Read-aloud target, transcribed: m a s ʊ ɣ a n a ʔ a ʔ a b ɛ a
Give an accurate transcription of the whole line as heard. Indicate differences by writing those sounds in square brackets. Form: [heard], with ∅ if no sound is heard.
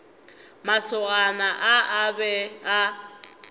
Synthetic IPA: m a s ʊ ɣ a n a ʔ a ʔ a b ɛ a